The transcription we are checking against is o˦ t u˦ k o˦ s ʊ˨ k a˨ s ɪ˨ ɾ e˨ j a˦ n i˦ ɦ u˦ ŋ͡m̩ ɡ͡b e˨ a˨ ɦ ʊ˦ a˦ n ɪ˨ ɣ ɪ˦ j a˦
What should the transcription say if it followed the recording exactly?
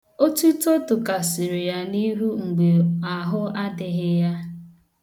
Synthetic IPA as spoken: o˦ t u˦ t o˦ t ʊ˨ k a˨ s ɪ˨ ɾ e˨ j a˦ n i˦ ɦ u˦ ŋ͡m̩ ɡ͡b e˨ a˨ ɦ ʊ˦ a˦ d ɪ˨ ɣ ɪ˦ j a˦